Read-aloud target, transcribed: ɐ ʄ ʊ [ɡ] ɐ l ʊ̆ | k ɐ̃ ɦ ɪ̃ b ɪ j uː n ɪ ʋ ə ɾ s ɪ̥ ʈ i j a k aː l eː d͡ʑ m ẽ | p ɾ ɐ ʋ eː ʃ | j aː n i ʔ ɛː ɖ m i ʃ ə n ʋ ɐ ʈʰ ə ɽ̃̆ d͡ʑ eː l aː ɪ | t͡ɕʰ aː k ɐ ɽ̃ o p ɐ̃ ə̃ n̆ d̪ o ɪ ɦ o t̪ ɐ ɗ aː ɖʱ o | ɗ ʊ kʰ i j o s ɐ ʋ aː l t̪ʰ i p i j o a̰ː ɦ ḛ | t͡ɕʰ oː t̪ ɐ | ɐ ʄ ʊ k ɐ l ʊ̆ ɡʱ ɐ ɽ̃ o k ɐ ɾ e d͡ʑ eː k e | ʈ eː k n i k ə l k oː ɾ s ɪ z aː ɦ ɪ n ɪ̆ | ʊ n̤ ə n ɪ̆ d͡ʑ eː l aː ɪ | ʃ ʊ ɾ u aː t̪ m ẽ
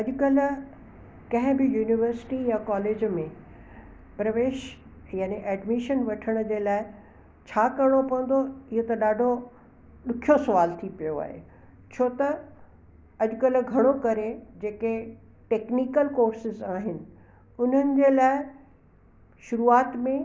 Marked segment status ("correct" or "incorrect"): incorrect